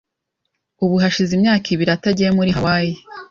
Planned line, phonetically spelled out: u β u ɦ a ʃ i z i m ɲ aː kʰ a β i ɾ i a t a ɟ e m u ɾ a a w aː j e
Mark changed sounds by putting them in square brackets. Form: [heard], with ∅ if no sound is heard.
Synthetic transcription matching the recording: u β u ɦ a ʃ i z i m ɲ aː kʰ [i] β i ɾ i a t a ɟ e m u ɾ [i] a w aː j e